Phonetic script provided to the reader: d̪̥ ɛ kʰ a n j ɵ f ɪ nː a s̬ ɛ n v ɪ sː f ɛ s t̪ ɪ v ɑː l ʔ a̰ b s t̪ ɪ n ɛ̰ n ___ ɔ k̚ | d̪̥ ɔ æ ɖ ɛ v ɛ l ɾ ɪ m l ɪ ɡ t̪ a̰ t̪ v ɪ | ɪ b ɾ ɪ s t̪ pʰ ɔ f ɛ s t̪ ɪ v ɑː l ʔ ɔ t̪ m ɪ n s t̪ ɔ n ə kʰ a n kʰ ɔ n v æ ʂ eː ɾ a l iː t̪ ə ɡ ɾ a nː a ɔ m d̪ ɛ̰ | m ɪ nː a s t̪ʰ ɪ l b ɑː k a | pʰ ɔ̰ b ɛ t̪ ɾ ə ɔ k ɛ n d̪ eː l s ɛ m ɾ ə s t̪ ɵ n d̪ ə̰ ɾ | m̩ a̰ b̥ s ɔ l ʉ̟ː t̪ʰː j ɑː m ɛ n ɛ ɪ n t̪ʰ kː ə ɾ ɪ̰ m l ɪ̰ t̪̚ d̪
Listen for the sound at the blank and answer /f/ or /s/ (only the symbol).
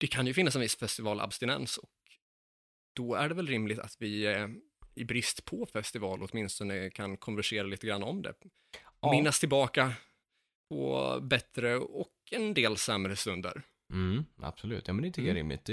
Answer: s